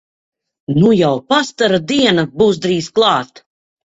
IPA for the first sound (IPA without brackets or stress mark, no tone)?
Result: n